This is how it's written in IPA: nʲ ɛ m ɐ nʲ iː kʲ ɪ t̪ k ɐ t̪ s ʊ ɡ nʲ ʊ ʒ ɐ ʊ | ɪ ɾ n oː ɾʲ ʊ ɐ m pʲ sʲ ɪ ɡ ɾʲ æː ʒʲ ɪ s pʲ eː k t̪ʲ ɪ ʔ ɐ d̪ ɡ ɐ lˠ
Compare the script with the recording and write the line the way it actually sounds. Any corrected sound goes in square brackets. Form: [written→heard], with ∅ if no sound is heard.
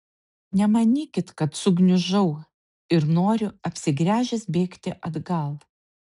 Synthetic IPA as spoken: nʲ ɛ m ɐ nʲ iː kʲ ɪ t̪ k ɐ t̪ s ʊ ɡ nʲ ʊ ʒ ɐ ʊ | ɪ ɾ n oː ɾʲ ʊ ɐ [m→∅] pʲ sʲ ɪ ɡ ɾʲ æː ʒʲ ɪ s [pʲ→bʲ] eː k t̪ʲ ɪ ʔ ɐ d̪ ɡ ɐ lˠ